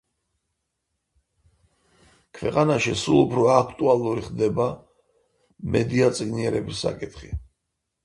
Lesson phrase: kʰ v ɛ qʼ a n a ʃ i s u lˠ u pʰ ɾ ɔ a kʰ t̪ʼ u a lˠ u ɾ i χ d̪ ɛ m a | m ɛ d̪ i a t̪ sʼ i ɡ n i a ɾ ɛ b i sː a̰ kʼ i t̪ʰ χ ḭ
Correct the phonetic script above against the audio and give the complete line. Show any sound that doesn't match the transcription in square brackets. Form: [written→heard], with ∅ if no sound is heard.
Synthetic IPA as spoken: kʰ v ɛ qʼ a n a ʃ i s u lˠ u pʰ ɾ ɔ a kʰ t̪ʼ u a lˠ u ɾ i χ d̪ ɛ [m→b] a | m ɛ d̪ i a t̪ sʼ i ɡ n i [a→ɛ] ɾ ɛ b i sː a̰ kʼ i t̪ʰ χ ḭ